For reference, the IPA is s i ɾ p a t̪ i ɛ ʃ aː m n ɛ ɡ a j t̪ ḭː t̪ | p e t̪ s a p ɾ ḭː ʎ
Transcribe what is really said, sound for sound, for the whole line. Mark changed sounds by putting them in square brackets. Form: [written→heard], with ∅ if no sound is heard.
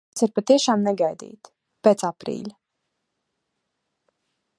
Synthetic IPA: s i ɾ p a t̪ i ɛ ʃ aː m n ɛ ɡ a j [t̪→d̪] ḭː t̪ | p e t̪ s a p ɾ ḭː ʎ